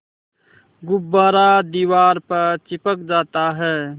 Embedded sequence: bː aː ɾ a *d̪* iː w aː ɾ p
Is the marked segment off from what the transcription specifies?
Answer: no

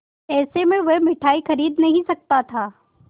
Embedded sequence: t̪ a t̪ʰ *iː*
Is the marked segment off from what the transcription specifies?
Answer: yes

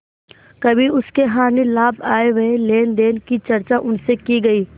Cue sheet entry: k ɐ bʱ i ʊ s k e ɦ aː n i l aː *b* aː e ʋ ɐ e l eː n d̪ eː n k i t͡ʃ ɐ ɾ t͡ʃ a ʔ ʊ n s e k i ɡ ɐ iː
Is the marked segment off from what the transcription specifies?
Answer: no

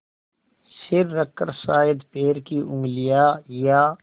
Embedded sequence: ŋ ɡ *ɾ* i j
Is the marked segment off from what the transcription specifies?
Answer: yes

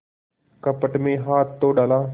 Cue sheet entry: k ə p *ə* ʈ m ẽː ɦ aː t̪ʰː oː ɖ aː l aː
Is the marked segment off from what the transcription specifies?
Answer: no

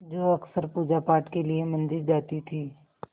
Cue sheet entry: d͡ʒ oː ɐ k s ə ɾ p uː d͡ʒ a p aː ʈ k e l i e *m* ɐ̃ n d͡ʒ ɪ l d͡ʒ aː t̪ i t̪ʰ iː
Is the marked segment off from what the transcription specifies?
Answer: no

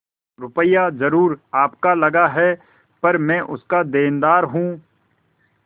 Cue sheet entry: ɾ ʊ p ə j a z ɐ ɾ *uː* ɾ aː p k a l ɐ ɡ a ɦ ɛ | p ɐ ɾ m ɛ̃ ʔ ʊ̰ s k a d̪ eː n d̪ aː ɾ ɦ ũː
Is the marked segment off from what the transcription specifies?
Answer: no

